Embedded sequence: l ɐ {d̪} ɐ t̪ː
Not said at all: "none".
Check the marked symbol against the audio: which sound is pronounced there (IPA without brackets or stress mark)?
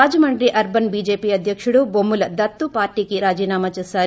d̪